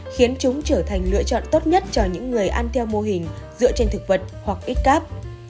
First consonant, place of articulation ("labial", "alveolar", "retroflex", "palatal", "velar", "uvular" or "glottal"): velar